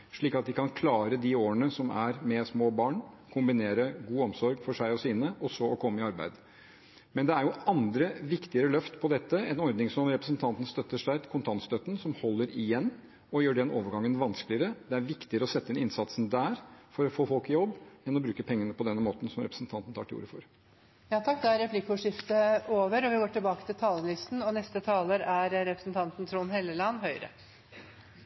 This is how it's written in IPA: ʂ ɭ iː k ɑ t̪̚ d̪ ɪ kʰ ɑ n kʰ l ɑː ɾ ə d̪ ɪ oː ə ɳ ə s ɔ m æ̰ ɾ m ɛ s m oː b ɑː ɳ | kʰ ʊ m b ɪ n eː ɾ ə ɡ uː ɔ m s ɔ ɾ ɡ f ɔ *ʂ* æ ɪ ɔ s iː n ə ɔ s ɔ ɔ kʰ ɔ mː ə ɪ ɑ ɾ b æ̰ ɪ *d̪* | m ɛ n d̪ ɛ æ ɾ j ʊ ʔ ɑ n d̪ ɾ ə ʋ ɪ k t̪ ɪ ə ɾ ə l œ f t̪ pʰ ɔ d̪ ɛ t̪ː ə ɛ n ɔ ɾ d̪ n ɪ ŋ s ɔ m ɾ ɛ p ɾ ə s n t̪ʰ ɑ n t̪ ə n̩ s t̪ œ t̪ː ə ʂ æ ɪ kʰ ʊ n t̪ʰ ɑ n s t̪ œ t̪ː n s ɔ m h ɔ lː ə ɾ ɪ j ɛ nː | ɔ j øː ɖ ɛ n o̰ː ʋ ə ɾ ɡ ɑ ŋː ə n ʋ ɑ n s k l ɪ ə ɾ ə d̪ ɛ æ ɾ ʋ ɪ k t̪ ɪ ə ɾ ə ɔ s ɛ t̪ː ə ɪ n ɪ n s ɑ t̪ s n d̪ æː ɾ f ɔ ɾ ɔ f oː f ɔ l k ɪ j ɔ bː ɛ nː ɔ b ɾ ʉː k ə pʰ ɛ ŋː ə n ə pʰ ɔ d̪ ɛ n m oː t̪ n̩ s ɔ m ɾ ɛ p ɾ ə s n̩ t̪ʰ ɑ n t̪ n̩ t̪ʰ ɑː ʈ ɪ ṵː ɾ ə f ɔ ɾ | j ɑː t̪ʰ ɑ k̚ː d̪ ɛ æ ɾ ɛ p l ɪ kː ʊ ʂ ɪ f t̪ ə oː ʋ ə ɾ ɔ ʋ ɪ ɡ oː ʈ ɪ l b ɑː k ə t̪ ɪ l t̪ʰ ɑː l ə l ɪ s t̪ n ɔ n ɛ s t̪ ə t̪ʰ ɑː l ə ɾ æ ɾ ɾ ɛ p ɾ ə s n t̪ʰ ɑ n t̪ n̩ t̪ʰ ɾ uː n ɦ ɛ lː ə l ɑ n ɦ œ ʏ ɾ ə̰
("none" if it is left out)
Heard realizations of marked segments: ʂ, d̪

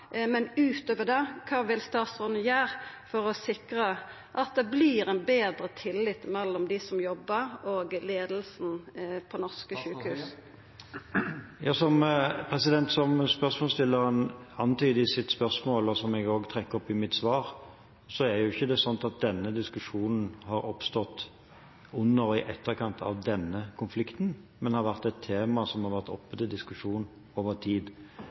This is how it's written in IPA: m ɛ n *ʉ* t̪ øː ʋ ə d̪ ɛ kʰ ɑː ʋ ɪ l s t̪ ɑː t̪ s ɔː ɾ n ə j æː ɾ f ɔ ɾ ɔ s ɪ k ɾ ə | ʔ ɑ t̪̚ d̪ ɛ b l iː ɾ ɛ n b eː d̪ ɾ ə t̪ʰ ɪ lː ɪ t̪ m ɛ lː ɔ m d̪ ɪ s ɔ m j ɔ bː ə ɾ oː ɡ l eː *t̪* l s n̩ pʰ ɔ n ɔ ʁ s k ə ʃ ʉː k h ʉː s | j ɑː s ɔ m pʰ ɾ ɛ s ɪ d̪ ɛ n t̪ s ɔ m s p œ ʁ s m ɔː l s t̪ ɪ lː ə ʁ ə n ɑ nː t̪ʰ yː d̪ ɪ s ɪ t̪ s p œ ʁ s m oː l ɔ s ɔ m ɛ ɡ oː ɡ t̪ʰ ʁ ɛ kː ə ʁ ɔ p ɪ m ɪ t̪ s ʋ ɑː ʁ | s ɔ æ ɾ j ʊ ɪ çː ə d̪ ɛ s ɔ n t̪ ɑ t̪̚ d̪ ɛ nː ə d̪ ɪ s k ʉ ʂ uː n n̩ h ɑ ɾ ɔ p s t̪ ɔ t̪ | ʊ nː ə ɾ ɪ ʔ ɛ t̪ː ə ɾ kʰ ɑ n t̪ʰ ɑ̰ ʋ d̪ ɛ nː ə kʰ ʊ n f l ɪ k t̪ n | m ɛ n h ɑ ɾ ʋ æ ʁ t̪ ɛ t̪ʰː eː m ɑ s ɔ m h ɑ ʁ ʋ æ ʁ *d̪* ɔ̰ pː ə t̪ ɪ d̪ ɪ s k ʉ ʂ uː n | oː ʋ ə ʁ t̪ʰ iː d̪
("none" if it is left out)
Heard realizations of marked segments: ʉː, d̪, t̪

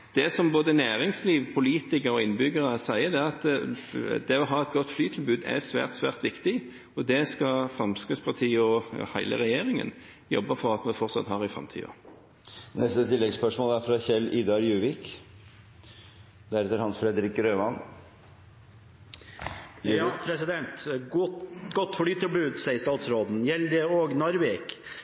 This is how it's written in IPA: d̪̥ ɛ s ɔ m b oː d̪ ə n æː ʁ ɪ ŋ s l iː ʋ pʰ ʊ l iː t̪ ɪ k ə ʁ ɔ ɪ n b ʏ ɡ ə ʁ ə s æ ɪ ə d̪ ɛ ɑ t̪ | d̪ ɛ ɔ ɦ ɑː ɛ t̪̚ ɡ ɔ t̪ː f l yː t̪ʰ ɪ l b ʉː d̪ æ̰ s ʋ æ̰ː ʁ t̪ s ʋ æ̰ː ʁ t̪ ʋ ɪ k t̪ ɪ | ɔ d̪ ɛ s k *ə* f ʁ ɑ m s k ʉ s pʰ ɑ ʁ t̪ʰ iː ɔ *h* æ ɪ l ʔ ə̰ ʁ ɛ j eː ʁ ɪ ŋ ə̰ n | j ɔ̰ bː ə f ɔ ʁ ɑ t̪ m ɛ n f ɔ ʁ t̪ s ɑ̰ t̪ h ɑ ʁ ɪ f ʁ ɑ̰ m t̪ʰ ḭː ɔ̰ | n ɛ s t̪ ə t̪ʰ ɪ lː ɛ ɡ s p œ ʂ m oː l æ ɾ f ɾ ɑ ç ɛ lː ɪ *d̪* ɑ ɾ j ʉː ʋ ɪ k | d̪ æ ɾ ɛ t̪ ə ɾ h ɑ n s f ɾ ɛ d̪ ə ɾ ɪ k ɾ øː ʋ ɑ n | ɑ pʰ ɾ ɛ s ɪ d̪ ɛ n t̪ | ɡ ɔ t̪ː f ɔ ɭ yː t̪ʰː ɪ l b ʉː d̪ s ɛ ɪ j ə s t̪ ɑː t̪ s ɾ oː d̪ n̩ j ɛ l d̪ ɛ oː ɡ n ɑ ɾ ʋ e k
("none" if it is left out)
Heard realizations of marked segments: ɑ, h, d̪

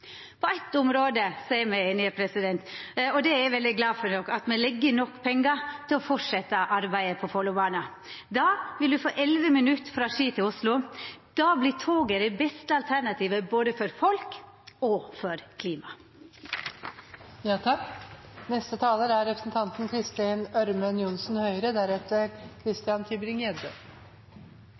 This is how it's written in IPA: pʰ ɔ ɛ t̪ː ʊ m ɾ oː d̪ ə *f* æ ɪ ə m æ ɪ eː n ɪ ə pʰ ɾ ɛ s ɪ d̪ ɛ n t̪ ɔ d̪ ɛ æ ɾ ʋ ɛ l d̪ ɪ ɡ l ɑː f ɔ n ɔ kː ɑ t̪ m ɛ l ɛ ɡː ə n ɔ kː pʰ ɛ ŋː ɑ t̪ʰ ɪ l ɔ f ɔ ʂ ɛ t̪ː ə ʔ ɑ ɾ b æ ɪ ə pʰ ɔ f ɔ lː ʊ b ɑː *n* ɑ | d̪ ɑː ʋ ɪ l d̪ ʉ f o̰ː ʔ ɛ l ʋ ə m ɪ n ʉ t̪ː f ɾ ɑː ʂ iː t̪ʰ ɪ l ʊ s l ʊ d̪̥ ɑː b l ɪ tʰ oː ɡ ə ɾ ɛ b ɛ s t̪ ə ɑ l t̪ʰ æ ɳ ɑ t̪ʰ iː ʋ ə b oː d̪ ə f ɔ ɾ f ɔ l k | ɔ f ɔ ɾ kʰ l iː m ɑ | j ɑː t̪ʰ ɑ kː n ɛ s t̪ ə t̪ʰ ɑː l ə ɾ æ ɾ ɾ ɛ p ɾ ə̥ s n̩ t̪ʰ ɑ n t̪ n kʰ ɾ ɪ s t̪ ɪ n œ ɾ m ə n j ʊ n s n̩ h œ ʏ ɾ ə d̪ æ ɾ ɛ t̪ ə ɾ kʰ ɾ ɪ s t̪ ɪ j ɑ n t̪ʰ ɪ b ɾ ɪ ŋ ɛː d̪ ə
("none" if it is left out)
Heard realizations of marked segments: s, n

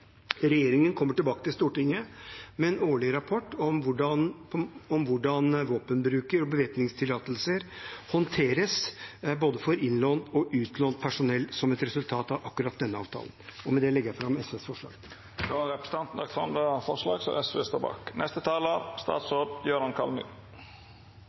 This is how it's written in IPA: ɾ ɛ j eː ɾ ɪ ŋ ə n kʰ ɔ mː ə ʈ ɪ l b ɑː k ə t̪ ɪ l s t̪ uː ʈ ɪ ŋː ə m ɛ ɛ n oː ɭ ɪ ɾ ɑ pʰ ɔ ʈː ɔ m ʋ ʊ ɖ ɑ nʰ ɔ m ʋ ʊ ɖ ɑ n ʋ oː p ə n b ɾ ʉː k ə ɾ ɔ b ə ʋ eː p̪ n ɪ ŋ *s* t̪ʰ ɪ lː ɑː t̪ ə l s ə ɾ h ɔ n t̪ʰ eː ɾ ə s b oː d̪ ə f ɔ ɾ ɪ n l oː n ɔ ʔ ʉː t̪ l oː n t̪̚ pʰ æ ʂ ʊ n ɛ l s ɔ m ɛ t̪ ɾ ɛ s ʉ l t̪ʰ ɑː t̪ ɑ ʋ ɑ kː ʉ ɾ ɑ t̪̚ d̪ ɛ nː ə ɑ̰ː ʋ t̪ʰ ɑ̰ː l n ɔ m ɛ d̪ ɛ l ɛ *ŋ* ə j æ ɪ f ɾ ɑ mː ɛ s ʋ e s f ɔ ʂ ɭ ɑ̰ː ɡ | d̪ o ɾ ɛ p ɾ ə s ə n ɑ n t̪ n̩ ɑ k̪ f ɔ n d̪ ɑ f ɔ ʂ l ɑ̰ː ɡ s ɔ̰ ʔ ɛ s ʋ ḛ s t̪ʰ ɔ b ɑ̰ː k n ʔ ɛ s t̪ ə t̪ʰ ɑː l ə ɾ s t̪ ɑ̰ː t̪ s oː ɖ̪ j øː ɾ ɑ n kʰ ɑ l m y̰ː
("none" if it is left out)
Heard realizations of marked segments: s, ɡ

